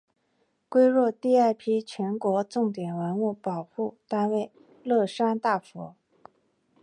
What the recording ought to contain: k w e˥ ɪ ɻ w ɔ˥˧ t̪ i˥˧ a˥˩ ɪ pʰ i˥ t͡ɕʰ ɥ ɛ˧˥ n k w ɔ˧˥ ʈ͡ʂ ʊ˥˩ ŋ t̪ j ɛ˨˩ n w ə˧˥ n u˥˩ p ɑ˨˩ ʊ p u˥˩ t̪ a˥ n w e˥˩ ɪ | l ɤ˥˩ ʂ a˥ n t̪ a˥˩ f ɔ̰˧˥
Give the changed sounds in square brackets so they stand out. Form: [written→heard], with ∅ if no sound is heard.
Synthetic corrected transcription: k w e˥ ɪ ɻ w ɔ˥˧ t̪ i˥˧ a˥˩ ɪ pʰ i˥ t͡ɕʰ ɥ ɛ˧˥ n k w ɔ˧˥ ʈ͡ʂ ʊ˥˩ ŋ t̪ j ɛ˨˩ n w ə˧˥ n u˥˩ p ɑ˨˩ ʊ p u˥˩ t̪ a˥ n w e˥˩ ɪ | l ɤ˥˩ ʂ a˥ n t̪ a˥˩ f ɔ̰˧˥

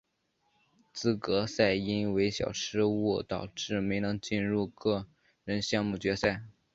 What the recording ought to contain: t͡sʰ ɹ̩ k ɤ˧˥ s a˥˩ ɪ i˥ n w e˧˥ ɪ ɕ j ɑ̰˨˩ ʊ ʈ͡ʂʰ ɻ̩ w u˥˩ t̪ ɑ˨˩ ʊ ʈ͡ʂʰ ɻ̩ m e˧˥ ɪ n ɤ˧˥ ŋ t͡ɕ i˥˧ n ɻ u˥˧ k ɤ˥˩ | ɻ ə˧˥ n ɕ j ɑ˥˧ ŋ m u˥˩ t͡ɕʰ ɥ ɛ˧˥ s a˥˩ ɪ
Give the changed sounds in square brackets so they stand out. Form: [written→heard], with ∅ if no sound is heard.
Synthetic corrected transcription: [t͡sʰ→t͡s] ɹ̩ k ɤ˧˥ s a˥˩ ɪ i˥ n w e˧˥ ɪ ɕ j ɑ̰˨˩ ʊ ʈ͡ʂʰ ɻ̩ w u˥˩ t̪ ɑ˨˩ ʊ [ʈ͡ʂʰ→ʈ͡ʂ] ɻ̩ m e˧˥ ɪ n ɤ˧˥ ŋ t͡ɕ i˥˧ n ɻ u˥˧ k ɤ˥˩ | ɻ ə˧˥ n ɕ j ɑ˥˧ ŋ m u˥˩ [t͡ɕʰ→t͡ɕ] ɥ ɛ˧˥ s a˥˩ ɪ

